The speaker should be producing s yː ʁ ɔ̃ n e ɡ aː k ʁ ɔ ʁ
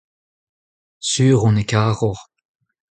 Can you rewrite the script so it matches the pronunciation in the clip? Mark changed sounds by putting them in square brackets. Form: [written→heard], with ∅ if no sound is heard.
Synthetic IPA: s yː ʁ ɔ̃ n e [ɡ→k] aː [k→∅] ʁ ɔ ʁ